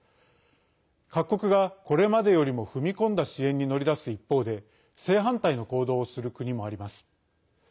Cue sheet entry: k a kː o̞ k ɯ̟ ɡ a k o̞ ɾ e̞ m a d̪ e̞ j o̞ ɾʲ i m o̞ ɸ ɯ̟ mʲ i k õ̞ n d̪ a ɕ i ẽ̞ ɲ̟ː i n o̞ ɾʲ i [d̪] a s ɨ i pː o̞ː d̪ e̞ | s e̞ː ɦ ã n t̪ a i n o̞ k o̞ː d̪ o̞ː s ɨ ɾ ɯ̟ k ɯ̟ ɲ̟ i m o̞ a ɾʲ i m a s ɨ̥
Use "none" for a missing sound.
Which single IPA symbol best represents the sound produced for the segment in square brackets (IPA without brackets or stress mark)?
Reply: d̪